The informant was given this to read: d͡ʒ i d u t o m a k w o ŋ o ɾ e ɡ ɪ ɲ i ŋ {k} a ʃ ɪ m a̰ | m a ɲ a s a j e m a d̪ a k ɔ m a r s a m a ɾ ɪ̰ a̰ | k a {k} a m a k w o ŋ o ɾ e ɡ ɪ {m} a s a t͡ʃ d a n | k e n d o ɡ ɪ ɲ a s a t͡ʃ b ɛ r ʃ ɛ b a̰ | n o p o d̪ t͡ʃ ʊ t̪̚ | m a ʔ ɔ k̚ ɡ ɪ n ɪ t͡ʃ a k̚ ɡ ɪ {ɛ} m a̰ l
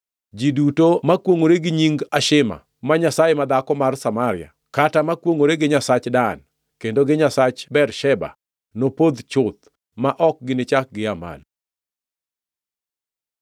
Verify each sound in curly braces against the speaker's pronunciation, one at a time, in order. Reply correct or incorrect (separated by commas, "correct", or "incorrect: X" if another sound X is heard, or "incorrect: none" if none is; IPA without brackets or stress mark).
incorrect: ɡ, incorrect: t, incorrect: ɲ, incorrect: a